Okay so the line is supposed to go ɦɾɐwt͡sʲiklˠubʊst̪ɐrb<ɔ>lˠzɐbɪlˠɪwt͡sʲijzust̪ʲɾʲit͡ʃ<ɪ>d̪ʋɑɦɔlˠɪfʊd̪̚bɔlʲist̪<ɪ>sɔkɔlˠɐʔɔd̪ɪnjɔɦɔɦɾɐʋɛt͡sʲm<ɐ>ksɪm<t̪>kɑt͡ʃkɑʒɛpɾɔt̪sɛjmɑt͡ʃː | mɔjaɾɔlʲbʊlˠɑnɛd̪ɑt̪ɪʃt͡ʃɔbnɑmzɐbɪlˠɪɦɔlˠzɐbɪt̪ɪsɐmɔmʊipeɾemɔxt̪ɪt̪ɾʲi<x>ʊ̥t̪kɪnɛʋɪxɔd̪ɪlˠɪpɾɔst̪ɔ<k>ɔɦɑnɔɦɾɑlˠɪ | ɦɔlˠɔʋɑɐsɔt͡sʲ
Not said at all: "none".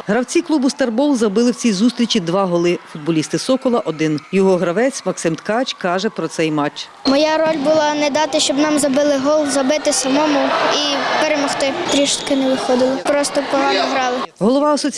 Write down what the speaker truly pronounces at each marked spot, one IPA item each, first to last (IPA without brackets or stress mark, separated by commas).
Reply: ɔ, i, ɪ, ɐ, t̪, ʃ, p